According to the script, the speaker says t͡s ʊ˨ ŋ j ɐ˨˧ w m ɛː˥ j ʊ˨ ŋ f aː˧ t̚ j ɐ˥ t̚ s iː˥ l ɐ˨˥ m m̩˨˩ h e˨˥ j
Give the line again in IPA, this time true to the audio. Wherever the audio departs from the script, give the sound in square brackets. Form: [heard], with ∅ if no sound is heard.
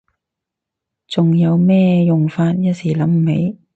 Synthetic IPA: t͡s ʊ˨ ŋ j ɐ˨˧ w m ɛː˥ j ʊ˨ ŋ f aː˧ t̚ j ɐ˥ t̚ s [iː˨˩] l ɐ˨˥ m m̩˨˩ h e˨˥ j